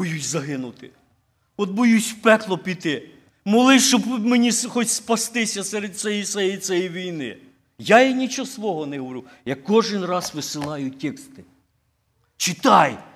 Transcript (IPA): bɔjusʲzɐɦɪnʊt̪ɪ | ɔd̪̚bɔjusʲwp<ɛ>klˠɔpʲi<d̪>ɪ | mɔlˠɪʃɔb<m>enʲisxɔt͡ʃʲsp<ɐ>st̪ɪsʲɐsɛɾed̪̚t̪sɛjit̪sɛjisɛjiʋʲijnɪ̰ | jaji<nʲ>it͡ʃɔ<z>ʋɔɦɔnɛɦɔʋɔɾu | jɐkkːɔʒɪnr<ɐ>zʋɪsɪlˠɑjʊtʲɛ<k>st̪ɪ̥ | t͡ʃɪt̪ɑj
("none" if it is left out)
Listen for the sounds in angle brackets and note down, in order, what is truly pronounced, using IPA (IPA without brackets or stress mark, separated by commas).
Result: ɛ, t̪, m, ɐ, nʲ, s, ɑ, k